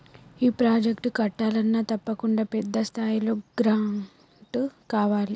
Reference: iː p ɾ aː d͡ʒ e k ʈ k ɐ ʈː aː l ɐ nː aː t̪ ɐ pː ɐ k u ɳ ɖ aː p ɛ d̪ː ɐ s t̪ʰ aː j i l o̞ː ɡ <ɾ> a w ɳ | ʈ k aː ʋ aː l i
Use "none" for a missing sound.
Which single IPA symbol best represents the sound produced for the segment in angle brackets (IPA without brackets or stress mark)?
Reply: ɾ